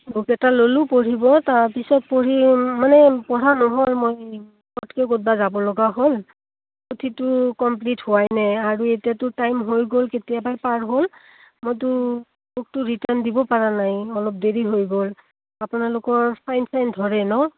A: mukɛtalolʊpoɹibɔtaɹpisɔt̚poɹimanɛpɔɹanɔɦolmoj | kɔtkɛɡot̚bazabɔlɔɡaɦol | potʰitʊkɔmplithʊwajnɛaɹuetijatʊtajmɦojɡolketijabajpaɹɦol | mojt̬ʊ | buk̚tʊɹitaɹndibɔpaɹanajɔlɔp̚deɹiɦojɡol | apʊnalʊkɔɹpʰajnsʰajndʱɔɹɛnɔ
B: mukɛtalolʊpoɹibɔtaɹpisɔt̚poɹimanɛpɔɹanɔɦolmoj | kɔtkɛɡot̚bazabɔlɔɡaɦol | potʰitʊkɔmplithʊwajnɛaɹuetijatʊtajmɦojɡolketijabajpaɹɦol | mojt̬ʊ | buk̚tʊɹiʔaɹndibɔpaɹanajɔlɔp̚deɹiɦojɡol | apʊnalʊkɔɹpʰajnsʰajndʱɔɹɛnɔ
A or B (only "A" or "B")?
A